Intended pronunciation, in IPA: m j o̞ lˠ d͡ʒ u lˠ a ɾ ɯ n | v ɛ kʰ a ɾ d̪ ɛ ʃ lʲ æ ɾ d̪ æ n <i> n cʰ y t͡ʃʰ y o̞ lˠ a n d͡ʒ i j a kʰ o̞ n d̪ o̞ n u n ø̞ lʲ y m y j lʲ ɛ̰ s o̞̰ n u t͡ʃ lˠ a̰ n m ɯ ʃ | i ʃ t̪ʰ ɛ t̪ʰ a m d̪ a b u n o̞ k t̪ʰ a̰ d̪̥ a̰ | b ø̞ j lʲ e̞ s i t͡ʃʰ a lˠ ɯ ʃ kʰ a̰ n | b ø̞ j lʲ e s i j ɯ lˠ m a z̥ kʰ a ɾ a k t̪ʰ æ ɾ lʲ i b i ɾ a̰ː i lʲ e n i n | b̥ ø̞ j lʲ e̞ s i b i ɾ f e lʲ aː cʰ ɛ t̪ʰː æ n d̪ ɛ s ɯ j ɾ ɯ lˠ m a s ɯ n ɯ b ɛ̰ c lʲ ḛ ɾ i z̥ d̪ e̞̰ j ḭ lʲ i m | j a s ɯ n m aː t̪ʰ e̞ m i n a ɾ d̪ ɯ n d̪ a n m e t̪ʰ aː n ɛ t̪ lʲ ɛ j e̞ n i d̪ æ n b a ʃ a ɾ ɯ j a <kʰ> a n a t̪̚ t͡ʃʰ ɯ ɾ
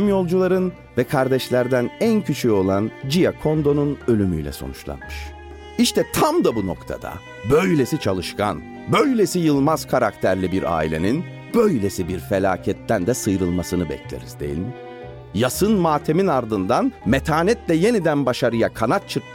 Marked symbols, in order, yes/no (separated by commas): no, yes